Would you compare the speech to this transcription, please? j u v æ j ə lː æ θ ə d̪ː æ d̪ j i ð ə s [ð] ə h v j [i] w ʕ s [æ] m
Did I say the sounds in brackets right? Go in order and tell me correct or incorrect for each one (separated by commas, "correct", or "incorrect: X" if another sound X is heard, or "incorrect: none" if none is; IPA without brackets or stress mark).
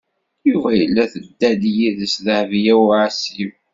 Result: correct, incorrect: æ, incorrect: i